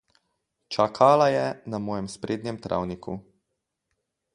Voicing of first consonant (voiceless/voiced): voiceless